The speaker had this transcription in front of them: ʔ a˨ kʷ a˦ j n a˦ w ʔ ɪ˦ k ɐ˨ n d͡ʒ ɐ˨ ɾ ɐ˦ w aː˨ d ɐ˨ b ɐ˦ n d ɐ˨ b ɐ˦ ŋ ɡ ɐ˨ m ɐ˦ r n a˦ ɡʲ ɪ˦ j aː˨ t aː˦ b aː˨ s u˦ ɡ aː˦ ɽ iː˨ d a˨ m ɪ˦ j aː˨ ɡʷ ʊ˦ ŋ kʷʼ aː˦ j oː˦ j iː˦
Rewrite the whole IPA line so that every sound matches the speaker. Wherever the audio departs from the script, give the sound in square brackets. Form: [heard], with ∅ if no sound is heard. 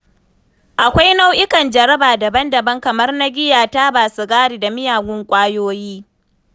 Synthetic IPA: ʔ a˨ kʷ a˦ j n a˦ w ʔ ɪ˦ k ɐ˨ n d͡ʒ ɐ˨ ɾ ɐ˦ [b] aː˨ d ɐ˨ b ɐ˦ n d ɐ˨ b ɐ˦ ŋ [k] ɐ˨ m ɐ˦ r n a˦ ɡʲ ɪ˦ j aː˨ t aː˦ b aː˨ s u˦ ɡ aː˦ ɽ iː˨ d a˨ m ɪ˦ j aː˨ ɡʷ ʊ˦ ŋ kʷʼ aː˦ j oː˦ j iː˦